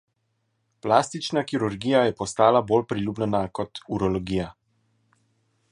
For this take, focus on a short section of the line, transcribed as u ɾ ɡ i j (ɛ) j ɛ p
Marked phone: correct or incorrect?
incorrect